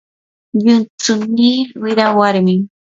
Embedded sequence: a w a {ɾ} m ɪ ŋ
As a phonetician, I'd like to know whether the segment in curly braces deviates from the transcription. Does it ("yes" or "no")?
no